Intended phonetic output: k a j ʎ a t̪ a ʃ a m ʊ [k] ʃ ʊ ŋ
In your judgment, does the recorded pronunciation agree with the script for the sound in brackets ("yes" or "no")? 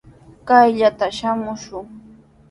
no